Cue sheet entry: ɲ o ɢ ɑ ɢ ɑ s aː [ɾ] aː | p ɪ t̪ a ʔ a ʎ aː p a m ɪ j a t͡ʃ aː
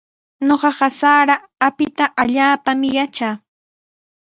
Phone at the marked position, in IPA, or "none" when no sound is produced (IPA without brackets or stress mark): ɾ